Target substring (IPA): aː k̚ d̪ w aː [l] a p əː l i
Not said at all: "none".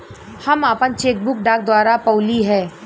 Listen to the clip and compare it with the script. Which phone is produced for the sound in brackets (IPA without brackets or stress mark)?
ɾ